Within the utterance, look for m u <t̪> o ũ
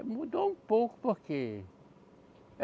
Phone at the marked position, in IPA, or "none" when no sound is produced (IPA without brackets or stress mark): d̪